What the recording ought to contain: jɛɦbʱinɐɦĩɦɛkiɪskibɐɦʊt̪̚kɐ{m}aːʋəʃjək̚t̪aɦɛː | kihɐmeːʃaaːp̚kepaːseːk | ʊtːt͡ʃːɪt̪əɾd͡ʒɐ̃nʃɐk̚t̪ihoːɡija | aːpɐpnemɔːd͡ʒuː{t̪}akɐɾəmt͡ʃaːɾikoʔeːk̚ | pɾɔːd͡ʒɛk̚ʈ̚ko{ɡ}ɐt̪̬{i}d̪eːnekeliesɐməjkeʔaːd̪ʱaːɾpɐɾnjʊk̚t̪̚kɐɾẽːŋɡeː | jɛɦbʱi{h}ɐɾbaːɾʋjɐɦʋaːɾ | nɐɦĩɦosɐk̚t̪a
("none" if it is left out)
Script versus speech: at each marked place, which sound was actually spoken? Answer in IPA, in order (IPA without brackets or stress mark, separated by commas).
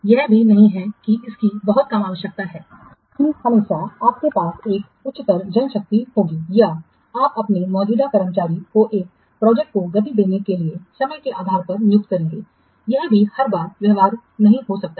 m, d̪, ɡ, i, h